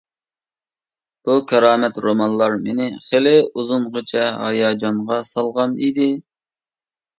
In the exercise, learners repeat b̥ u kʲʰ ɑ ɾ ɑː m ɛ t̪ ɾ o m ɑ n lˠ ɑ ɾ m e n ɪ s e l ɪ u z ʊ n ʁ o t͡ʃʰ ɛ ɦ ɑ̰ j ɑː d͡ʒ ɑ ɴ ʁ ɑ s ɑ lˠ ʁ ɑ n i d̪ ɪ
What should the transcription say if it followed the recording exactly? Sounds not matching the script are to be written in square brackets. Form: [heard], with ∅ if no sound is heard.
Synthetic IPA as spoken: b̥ u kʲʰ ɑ ɾ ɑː m ɛ t̪ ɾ o m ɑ n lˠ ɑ ɾ m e n ɪ [χ] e l ɪ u z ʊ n ʁ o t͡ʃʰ ɛ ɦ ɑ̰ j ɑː d͡ʒ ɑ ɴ ʁ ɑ s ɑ lˠ ʁ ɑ n i d̪ ɪ